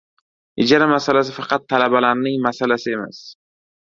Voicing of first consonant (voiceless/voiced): voiced